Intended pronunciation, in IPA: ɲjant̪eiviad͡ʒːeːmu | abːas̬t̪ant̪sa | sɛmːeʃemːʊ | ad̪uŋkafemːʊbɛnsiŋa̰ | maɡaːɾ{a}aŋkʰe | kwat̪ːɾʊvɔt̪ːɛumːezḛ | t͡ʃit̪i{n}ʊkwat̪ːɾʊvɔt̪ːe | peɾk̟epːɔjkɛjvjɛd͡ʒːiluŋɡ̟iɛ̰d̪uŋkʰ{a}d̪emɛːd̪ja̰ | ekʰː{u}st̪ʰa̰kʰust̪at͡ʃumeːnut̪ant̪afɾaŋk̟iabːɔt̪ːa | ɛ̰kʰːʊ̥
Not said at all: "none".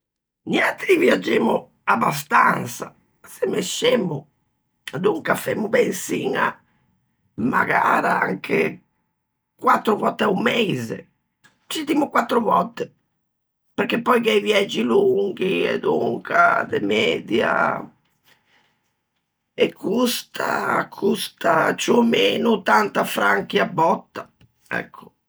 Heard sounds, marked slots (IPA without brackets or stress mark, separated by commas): a, m, a, u